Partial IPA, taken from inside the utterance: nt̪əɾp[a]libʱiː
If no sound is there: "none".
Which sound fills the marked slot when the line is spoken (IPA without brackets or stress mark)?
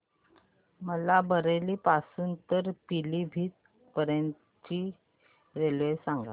i